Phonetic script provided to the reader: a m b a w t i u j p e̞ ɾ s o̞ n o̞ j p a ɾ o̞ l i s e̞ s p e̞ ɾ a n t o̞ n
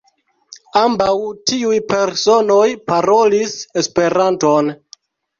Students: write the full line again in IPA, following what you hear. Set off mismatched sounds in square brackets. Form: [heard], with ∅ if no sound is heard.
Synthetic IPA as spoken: a m b a w t i u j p e̞ ɾ s o̞ n o̞ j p a ɾ o̞ l i s e̞ s p e̞ ɾ a n t o̞ n